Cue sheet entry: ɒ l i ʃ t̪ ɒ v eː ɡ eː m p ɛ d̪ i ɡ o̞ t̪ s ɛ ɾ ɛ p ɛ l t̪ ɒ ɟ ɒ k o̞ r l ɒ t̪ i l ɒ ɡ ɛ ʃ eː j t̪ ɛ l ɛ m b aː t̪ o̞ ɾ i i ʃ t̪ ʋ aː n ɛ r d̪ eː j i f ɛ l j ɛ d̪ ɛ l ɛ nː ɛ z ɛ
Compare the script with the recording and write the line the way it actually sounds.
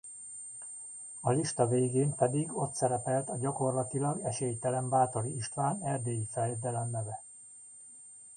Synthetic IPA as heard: ɒ l i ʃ t̪ ɒ v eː ɡ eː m p ɛ d̪ i ɡ o̞ t̪ s ɛ ɾ ɛ p ɛ l t̪ ɒ ɟ ɒ k o̞ r l ɒ t̪ i l ɒ ɡ ɛ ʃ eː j t̪ ɛ l ɛ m b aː t̪ o̞ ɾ i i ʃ t̪ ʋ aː n ɛ r d̪ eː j i f ɛ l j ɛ d̪ ɛ l ɛ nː ɛ v ɛ